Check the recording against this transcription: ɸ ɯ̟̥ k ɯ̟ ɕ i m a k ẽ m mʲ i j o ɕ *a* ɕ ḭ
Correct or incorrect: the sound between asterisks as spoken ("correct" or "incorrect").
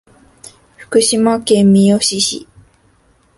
incorrect